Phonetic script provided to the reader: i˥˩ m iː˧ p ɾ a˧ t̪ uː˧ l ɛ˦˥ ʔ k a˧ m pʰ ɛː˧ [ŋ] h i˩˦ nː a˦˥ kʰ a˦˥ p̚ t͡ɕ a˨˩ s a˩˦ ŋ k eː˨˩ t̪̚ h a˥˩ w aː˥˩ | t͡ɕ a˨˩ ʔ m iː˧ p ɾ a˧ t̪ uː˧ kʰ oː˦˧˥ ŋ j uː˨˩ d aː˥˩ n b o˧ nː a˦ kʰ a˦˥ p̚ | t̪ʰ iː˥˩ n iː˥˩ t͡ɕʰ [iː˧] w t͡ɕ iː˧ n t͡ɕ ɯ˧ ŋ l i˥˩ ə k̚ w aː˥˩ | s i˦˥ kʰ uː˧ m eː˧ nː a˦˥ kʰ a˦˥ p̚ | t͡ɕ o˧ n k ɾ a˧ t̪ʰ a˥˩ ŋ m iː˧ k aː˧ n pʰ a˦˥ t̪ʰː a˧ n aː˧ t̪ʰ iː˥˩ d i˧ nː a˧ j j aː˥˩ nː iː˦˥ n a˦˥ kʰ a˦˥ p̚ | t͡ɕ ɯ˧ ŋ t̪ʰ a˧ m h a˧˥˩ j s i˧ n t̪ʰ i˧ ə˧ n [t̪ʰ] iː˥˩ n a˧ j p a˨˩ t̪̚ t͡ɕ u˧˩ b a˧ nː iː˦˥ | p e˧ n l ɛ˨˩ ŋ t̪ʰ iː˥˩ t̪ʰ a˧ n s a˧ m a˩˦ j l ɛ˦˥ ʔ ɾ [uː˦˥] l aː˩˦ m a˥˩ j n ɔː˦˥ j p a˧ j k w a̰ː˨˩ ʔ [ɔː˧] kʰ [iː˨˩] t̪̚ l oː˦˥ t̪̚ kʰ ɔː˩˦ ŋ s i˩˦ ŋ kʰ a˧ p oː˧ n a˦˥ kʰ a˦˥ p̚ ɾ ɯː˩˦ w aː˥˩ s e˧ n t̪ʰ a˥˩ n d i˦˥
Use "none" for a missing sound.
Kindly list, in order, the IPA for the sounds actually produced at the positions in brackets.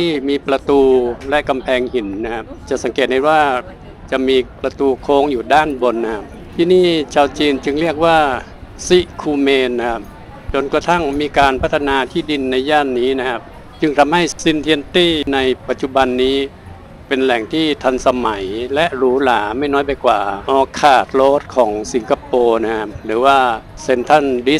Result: ŋ, aː˧, t̪, uː˦˥, ɔː˧, aː˨˩

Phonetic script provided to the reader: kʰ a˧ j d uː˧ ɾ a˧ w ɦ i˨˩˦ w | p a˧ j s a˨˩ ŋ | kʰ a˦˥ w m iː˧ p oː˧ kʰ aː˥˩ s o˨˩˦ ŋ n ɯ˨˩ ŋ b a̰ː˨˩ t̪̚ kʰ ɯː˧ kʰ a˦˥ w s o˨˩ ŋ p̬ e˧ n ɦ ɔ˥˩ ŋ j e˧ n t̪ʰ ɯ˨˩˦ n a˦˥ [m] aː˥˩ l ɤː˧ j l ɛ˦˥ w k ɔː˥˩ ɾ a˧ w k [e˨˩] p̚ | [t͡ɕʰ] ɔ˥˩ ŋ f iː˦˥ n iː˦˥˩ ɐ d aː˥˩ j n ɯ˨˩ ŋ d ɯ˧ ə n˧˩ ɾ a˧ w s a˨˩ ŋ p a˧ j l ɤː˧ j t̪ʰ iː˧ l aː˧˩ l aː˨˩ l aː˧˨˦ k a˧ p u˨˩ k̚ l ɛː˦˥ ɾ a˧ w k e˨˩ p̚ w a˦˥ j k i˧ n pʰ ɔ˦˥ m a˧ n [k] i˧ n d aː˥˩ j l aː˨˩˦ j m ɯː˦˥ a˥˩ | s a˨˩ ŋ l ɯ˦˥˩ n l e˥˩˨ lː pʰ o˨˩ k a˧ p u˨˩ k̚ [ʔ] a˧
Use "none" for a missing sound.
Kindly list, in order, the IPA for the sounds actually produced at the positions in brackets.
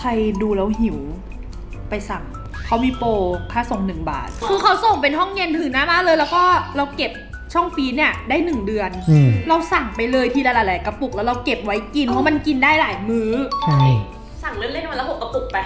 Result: m, e˨˩, t͡ɕʰ, k, p

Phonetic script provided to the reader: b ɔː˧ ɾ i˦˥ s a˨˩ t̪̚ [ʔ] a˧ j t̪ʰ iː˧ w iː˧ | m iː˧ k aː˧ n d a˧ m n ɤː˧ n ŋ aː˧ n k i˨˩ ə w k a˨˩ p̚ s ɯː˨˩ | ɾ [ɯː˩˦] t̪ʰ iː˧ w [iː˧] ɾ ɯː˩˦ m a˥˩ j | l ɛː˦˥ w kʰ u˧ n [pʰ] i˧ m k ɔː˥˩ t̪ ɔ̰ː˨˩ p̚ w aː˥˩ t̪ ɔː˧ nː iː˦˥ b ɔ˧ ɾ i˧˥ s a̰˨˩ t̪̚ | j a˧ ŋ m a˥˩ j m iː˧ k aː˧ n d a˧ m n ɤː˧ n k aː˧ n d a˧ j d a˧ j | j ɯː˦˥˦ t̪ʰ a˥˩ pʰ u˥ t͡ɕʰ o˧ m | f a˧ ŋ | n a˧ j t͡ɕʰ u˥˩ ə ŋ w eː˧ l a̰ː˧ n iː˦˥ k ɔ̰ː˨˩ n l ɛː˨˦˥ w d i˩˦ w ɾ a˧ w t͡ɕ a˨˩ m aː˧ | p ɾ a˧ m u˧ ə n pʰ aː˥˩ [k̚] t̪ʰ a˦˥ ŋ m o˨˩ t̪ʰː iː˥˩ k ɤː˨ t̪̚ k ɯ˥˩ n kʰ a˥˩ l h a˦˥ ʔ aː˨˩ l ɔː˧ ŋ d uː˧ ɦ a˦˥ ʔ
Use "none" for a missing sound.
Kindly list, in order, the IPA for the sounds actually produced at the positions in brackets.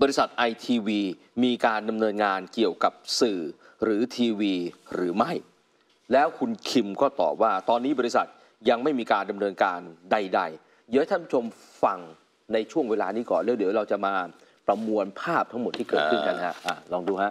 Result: ʔ, ɯː˩˦, iː˧, kʰ, p̚

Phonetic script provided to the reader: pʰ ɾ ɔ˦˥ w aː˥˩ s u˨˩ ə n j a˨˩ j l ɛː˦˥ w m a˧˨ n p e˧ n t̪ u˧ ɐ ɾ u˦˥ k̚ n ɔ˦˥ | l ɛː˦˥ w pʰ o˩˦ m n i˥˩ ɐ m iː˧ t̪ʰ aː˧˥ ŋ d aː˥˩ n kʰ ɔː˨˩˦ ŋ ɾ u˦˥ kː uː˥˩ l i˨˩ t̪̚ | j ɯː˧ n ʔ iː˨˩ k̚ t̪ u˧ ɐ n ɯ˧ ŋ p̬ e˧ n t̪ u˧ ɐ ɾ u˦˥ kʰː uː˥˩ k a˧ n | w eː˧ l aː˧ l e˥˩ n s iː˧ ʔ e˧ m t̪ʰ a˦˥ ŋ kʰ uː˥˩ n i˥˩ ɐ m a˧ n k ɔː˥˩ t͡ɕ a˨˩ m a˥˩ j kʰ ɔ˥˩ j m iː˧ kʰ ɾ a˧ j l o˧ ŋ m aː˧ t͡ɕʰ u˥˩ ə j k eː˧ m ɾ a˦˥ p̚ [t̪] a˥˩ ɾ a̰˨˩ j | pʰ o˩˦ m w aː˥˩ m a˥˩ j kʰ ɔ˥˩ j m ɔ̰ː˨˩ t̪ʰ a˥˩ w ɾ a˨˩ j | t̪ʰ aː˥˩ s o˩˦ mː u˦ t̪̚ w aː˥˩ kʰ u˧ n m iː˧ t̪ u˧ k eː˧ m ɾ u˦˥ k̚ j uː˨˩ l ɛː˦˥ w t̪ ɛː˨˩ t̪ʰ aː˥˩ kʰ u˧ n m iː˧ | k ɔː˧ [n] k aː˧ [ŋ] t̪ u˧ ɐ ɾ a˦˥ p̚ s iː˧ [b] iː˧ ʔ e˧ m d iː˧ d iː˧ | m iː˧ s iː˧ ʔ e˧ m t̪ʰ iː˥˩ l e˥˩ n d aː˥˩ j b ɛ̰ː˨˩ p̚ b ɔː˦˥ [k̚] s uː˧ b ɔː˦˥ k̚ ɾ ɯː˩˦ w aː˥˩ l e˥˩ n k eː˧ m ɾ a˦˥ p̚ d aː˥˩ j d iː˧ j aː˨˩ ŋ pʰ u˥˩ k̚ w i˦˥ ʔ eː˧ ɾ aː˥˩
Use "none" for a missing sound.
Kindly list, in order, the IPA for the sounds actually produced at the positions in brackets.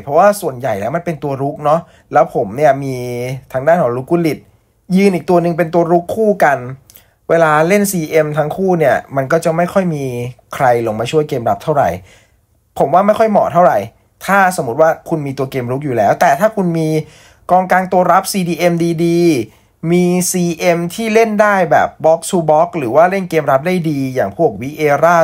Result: t̪ʰ, ŋ, ŋ, d, k̚

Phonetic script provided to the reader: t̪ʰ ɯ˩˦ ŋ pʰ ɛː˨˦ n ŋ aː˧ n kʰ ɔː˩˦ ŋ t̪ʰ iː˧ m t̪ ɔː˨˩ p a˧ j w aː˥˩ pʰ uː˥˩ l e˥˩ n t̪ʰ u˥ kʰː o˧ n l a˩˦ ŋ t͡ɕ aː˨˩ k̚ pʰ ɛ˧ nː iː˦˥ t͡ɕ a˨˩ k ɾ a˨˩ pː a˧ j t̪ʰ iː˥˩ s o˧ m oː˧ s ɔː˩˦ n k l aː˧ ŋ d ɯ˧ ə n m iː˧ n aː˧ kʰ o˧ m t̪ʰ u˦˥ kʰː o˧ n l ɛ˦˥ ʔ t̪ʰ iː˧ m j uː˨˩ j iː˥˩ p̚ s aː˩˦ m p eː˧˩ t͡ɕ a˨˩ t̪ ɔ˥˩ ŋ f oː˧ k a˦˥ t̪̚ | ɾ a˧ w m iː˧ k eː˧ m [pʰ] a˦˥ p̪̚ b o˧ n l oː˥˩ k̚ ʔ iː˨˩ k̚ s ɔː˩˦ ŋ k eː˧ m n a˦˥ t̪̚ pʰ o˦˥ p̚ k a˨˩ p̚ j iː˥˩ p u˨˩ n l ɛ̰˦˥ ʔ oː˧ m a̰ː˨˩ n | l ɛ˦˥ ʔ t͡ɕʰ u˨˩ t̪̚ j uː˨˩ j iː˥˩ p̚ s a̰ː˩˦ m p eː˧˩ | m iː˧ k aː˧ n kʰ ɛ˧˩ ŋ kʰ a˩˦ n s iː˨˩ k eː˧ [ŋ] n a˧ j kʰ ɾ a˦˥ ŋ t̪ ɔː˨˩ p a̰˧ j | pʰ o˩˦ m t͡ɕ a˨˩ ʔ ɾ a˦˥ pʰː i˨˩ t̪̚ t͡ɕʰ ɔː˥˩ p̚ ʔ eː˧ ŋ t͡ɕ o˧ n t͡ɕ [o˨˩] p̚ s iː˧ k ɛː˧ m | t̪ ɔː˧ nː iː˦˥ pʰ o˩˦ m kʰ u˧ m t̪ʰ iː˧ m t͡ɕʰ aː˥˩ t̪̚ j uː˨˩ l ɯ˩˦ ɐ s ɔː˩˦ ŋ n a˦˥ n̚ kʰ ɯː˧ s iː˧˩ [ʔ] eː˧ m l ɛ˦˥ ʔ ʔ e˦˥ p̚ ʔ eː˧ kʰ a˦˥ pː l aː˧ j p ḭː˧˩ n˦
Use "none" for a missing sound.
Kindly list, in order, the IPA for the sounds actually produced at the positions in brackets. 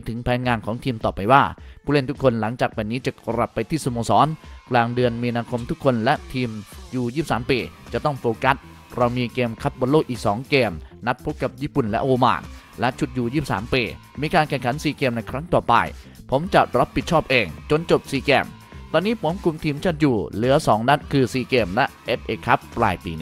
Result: kʰ, m, o˨˩, k

